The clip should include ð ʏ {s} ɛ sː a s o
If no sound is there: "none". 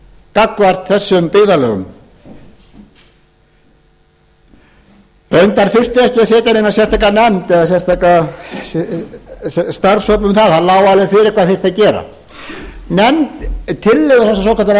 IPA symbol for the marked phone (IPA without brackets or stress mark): θ